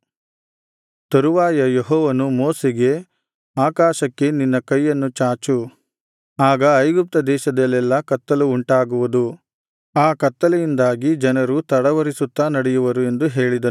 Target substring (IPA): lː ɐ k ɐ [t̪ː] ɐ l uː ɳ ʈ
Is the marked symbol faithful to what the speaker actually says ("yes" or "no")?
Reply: yes